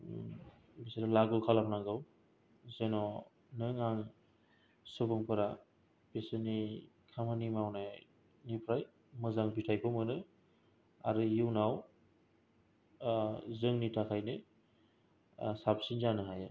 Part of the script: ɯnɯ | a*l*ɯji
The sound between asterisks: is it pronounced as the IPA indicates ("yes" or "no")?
no